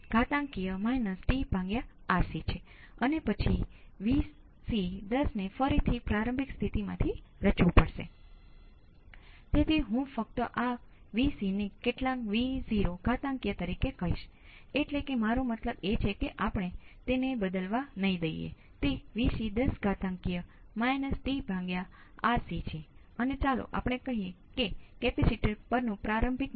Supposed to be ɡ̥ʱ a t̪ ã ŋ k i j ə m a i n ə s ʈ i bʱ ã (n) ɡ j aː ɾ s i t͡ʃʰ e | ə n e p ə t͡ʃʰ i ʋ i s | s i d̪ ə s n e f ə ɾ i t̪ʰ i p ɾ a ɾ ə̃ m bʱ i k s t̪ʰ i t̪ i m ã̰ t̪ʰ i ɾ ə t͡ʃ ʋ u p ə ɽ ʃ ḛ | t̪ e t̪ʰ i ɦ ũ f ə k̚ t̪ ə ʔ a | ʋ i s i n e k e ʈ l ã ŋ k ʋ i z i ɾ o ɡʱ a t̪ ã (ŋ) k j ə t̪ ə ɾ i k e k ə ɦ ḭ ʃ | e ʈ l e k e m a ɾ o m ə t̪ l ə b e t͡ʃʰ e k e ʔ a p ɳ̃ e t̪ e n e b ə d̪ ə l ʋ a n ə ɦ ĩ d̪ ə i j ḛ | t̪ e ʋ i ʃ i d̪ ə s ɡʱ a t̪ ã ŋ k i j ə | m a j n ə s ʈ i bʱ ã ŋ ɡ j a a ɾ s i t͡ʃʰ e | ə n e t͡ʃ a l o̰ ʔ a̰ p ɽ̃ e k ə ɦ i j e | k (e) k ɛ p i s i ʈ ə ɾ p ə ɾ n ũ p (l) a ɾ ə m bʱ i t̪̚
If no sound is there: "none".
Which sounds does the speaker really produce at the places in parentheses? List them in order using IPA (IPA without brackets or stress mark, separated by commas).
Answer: ŋ, ŋ, e, ɾ